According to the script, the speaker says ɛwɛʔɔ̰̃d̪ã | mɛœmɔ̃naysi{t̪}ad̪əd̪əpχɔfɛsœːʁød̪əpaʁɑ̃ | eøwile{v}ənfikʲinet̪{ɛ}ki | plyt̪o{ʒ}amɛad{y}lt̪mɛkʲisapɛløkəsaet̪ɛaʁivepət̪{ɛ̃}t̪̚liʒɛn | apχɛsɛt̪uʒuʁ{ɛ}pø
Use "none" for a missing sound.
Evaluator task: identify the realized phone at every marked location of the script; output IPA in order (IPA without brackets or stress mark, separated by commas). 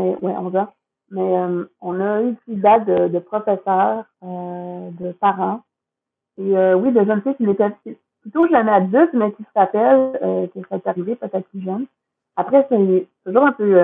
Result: d̪, ʒ, ɛ, ʒ, y, ɛ, ɛ̃